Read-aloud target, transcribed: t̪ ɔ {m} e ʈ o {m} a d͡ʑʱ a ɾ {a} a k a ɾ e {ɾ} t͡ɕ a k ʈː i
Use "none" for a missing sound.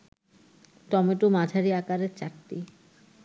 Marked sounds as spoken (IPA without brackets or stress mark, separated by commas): m, m, i, ɾ